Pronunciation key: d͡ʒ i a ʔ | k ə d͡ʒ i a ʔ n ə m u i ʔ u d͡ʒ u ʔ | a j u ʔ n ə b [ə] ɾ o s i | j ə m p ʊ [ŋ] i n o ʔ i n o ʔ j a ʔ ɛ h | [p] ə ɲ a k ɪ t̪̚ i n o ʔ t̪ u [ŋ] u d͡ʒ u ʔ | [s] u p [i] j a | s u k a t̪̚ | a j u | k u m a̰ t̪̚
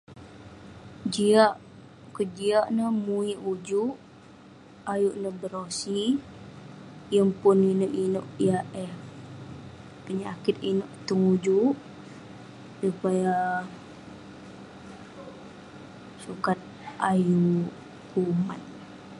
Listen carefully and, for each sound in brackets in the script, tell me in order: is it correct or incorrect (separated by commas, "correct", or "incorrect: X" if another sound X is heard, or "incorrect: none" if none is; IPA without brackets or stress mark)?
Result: correct, incorrect: n, correct, correct, correct, incorrect: a